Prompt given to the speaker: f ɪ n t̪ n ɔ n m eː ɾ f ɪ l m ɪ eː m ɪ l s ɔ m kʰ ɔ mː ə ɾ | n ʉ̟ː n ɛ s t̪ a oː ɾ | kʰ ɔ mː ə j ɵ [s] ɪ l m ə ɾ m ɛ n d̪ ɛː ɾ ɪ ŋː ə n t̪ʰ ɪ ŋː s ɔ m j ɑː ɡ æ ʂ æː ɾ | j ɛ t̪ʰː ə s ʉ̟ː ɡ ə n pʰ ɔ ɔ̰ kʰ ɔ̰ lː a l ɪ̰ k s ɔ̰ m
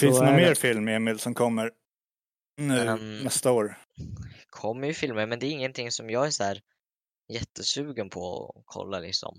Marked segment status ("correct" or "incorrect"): incorrect